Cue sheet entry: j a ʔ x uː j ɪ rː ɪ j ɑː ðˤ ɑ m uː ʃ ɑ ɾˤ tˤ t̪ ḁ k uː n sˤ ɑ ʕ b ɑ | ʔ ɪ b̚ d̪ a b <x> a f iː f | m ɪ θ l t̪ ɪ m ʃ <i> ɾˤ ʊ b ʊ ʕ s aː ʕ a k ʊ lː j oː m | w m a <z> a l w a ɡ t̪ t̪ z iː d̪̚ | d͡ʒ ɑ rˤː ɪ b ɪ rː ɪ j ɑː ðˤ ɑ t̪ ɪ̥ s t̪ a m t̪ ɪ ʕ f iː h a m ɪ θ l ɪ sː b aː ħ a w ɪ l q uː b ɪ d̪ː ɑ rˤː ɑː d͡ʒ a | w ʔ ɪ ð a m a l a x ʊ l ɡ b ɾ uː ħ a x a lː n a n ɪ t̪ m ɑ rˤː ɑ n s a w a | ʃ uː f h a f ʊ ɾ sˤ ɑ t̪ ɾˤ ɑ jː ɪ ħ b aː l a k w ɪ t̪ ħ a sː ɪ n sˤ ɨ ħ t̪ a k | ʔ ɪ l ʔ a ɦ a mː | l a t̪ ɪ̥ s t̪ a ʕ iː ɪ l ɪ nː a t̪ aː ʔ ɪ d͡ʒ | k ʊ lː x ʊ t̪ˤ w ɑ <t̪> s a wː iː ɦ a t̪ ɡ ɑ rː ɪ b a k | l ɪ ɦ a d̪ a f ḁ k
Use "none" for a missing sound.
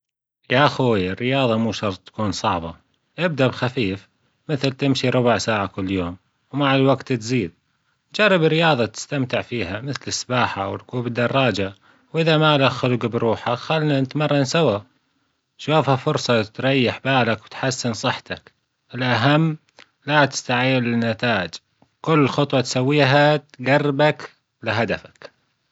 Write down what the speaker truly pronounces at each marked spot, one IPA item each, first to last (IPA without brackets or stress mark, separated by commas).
x, i, ʕ, t̪